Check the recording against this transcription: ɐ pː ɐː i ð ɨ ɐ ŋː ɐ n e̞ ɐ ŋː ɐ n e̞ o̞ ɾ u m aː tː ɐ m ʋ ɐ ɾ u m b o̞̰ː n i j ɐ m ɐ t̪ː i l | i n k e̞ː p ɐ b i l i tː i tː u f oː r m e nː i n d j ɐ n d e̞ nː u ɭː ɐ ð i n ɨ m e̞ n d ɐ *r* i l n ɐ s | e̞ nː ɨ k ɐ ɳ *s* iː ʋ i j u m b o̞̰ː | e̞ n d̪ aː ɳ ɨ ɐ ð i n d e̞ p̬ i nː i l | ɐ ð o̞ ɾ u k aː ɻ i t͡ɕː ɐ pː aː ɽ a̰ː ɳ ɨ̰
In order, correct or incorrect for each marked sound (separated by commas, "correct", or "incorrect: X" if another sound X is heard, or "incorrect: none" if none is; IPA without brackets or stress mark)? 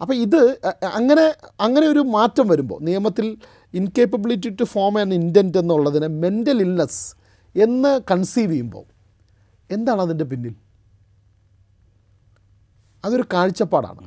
incorrect: l, correct